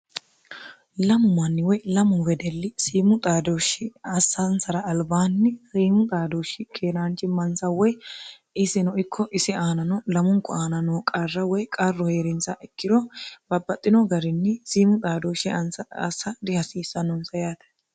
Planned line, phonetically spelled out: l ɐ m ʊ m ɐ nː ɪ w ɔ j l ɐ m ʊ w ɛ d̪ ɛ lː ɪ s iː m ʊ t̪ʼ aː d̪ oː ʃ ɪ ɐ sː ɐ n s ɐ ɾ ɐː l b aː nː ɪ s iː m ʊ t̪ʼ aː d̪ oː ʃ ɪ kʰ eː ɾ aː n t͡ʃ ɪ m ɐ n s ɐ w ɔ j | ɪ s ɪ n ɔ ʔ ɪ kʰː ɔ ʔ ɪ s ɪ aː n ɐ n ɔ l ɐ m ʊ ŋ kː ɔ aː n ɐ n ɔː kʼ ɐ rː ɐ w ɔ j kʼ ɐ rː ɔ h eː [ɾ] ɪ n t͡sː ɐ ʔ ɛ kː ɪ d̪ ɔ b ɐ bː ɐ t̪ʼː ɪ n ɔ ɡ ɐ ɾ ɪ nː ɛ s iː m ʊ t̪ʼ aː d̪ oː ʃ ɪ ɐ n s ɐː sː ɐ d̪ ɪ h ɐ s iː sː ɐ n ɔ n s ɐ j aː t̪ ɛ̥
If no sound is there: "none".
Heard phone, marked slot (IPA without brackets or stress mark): ɾ